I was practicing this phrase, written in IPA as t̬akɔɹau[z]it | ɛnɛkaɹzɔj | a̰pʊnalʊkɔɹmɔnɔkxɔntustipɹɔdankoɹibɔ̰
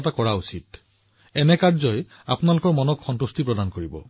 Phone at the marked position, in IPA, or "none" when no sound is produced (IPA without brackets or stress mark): s